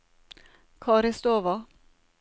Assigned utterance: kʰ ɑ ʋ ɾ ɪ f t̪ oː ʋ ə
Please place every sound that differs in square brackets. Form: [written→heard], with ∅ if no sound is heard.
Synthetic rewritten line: kʰ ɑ [ʋ→∅] ɾ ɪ [f→s] t̪ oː ʋ [ə→ɑ]

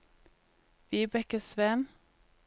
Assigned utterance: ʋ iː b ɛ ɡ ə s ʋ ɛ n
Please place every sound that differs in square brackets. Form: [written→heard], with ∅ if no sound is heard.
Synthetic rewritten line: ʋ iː b ɛ [ɡ→k] ə s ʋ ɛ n

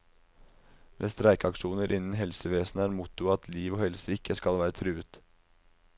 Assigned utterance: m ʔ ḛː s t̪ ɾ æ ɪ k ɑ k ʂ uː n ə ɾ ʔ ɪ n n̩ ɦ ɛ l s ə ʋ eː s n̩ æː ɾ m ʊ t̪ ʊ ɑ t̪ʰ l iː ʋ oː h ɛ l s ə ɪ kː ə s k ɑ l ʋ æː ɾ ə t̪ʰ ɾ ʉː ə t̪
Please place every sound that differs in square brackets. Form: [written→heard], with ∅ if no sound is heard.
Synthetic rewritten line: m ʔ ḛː s t̪ ɾ æ ɪ k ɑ k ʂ uː n ə ɾ ʔ ɪ n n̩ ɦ ɛ l s ə ʋ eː s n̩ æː ɾ m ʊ t̪ ʊ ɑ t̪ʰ l iː ʋ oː h ɛ l s ə ɪ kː ə s k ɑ l ʋ æː ɾ ə t̪ʰ ɾ ʉː ə t̪

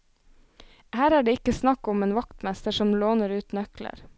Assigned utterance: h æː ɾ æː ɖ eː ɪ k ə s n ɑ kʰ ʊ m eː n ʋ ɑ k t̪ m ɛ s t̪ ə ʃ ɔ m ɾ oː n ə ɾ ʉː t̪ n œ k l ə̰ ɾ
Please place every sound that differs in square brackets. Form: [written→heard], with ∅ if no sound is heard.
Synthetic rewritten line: h æː ɾ æː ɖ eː ɪ k ə s n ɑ [kʰ→k] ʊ m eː n ʋ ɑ k t̪ m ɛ s t̪ ə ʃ ɔ m [ɾ→l] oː n ə ɾ ʉː t̪ n œ k l ə̰ ɾ

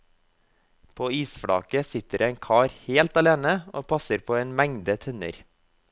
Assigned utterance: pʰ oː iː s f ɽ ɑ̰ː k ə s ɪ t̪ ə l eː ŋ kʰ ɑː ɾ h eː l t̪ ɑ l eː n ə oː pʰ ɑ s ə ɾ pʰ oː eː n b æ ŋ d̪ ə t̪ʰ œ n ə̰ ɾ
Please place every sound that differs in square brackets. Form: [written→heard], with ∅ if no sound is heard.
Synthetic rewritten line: pʰ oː iː s f ɽ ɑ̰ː k ə s ɪ t̪ ə [l→ɾ] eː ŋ kʰ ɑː ɾ h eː l t̪ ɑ l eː n ə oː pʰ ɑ s ə ɾ pʰ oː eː n [b→m] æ ŋ d̪ ə t̪ʰ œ n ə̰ ɾ

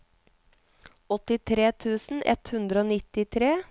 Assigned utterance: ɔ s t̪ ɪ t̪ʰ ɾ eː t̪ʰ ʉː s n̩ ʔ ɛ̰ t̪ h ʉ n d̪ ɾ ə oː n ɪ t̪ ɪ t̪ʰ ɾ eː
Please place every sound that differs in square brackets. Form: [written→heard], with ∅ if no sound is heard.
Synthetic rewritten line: ɔ [s→∅] t̪ ɪ t̪ʰ ɾ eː t̪ʰ ʉː s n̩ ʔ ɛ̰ t̪ h ʉ n d̪ ɾ ə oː n ɪ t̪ ɪ t̪ʰ ɾ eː

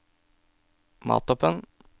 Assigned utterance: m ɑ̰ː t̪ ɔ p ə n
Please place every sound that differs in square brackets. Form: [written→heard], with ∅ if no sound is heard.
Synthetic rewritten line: m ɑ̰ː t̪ ɔ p ə n

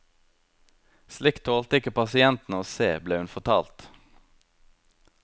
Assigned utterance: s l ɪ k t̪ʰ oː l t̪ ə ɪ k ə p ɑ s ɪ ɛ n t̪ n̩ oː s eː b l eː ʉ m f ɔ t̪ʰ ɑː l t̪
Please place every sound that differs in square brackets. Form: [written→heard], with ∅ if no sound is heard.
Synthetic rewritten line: s l ɪ k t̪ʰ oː l t̪ ə ɪ k ə p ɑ s ɪ ɛ n t̪ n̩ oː s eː b l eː ʉ [m→n] f ɔ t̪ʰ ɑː l t̪

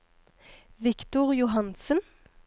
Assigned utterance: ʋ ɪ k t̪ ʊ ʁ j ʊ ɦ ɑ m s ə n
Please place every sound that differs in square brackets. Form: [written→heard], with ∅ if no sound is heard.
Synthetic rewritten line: ʋ ɪ k t̪ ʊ ʁ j ʊ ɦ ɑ [m→n] s ə n

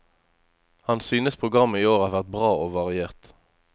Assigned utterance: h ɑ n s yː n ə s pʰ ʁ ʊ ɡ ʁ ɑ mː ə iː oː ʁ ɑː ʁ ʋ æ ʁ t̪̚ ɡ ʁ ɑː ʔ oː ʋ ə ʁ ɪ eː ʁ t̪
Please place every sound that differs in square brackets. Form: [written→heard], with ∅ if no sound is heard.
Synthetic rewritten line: h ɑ n s yː n ə s pʰ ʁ ʊ ɡ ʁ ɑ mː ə iː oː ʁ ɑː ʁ ʋ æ ʁ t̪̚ [ɡ→b] ʁ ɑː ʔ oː ʋ [ə→ɑ] ʁ ɪ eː ʁ t̪

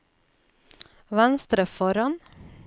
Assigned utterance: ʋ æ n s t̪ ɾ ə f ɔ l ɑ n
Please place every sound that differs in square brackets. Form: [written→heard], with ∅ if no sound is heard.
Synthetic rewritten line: ʋ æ n s t̪ ɾ ə f ɔ [l→ɾ] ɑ n

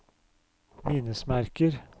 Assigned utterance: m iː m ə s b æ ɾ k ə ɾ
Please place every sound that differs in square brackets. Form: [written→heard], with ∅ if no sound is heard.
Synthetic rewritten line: m iː [m→n] ə s [b→m] æ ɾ k ə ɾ

